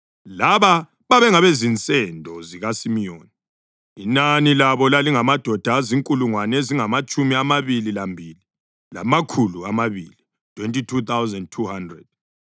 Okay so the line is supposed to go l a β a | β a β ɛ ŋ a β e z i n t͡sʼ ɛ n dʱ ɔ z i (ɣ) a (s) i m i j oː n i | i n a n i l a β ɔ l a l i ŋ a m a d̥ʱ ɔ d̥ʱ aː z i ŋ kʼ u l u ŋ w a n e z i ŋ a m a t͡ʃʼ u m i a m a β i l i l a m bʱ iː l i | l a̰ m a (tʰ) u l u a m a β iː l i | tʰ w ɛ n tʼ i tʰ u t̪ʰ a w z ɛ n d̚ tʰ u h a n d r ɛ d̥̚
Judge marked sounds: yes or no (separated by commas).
yes, yes, no